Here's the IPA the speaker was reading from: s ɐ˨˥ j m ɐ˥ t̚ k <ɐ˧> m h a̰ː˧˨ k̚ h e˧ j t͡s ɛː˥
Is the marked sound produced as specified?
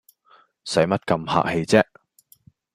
yes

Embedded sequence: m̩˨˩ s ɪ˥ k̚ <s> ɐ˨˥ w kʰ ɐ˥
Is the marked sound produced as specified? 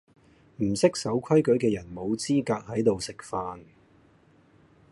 yes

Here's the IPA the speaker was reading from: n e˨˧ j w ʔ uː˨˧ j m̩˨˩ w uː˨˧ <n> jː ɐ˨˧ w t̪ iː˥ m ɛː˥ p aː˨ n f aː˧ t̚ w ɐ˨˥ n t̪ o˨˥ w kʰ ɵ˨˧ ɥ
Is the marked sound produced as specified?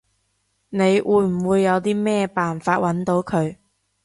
no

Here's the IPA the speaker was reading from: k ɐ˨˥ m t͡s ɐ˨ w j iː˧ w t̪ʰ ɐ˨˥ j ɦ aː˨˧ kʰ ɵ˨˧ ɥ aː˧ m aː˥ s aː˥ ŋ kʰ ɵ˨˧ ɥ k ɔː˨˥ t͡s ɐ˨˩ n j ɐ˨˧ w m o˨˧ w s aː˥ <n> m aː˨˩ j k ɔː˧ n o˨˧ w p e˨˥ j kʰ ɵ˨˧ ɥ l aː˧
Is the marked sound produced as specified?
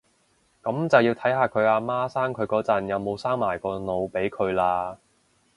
no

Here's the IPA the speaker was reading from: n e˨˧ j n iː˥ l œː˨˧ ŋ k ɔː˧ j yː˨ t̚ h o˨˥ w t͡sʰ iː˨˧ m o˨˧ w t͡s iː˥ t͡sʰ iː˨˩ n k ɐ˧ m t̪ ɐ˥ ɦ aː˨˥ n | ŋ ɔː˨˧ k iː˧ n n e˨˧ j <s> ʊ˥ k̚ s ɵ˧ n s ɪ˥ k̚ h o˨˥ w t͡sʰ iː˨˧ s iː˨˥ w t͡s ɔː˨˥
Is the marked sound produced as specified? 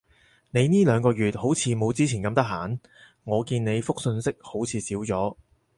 no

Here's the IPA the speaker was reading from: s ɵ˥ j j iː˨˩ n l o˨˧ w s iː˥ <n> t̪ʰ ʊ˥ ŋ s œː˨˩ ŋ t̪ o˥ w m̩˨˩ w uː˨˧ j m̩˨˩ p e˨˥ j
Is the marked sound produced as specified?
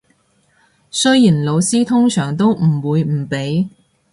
no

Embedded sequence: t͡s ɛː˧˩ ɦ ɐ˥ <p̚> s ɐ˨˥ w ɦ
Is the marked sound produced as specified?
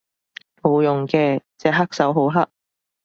no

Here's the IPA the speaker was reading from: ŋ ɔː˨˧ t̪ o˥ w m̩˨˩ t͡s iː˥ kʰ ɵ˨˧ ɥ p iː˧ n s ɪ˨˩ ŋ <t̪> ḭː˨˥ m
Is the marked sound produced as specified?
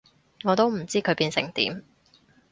yes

